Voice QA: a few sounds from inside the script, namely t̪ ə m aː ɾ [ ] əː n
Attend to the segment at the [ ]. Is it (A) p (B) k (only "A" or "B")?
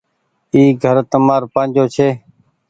A